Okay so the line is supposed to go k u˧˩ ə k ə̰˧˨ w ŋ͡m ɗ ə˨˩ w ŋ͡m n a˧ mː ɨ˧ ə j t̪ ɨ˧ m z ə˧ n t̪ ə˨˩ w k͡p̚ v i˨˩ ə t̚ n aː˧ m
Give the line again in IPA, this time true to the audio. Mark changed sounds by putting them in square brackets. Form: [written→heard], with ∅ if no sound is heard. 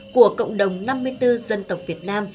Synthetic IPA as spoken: k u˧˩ ə k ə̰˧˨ w ŋ͡m ɗ ə˨˩ w ŋ͡m n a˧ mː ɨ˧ ə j t̪ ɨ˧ [m→∅] z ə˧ n t̪ ə˨˩ w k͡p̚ v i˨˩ ə t̚ n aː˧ m